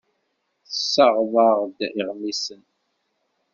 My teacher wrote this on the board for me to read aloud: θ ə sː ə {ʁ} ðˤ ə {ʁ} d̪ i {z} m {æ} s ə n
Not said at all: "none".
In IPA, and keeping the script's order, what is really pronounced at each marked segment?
ʁ, ʁ, ʁ, i

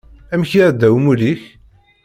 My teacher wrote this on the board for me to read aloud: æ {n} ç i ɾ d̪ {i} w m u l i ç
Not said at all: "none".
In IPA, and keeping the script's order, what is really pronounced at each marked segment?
m, æ

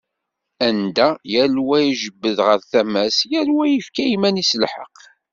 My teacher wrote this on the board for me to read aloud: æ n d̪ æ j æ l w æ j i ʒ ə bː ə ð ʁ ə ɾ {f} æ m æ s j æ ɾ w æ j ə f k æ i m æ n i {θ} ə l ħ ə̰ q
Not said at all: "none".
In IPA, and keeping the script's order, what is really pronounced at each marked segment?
θ, s

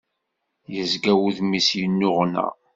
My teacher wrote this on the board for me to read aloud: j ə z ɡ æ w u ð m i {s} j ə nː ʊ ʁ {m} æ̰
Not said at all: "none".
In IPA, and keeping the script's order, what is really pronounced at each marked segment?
s, n

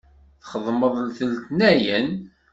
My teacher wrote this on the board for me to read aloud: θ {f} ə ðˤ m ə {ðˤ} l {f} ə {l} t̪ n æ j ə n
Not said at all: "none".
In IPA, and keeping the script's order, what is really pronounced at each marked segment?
χ, ðˤ, θ, l

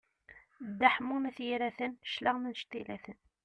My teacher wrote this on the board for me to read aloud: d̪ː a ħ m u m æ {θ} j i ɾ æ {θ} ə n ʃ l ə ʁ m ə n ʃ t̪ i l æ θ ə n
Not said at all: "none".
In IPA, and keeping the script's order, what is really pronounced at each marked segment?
θ, θ

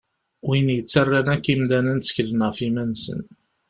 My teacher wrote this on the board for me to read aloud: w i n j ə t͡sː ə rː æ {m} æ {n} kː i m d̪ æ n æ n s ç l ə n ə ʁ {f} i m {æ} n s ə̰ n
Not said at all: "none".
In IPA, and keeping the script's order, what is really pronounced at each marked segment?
n, none, f, æ

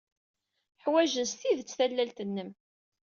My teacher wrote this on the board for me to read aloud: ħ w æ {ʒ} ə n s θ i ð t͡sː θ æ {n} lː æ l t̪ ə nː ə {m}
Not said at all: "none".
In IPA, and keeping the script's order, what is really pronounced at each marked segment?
ʒ, none, m

